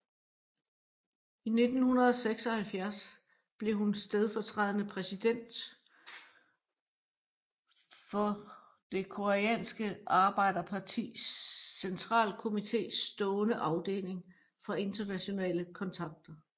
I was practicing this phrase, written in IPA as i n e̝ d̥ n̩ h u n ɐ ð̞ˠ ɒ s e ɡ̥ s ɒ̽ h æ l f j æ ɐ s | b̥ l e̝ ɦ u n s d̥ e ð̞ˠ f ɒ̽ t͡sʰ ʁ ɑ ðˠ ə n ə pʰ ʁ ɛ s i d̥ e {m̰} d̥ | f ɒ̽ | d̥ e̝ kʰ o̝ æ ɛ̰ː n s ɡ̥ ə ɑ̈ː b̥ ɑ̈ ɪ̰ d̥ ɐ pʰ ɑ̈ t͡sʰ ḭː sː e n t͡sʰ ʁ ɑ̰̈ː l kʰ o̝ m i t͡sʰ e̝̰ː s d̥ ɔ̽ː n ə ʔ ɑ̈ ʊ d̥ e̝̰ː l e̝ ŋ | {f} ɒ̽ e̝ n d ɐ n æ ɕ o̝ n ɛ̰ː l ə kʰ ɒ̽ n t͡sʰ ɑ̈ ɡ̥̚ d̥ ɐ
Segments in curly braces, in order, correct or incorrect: incorrect: n̰, correct

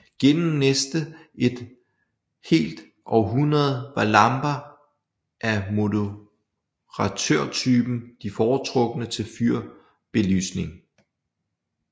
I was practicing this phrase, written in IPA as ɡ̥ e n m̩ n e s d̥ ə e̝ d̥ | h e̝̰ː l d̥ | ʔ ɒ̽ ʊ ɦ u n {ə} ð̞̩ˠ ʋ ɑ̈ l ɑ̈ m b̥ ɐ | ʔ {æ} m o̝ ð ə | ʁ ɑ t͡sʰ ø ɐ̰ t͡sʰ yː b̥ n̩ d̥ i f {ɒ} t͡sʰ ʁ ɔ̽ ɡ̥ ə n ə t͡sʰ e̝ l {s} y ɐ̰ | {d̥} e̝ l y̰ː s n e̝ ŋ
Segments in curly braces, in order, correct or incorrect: incorrect: ɐ, correct, incorrect: ɒː, incorrect: f, incorrect: b̥

